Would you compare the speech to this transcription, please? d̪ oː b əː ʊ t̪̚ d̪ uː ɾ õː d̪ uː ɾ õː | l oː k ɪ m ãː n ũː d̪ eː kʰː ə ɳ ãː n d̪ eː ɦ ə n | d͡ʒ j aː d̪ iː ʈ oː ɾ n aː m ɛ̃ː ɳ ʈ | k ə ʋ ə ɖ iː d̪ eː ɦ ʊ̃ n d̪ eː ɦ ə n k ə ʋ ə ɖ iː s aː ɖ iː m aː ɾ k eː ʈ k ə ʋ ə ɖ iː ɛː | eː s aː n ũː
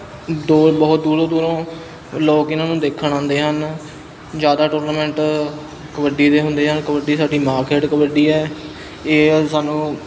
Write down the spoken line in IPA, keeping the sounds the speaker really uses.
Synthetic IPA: d̪ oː b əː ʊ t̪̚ d̪ uː ɾ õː d̪ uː ɾ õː | l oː k ɪ n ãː n ũː d̪ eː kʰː ə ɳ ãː n d̪ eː ɦ ə n | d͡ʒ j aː d̪ aː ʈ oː ɾ n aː m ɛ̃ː ɳ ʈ | k ə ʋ ə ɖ iː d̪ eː ɦ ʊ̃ n d̪ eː ɦ ə n k ə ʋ ə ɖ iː s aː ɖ iː m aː ɾ k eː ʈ k ə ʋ ə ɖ iː ɛː | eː s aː n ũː